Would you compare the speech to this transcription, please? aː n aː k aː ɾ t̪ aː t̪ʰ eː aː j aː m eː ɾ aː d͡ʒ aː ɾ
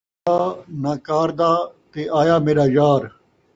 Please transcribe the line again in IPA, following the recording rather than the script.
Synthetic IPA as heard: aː n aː k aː ɾ d̪ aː t̪ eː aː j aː m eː ɾ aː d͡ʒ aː ɾ